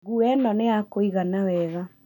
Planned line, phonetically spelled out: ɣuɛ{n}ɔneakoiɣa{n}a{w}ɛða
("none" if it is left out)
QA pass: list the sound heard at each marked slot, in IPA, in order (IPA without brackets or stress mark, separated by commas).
n, n, w